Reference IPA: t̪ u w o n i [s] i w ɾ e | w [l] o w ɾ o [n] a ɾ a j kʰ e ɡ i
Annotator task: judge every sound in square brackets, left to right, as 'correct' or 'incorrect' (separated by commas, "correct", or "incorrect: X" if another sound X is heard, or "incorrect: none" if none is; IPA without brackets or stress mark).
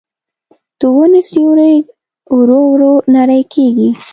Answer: correct, incorrect: ɾ, correct